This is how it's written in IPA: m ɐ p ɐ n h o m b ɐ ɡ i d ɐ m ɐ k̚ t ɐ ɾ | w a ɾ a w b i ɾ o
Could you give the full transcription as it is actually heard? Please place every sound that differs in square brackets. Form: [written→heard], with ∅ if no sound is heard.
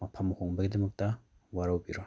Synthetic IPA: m ɐ [p→pʰ] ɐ [n→m] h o [m→ŋ] b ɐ ɡ i d ɐ m ɐ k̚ t ɐ [ɾ→∅] | w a ɾ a w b i ɾ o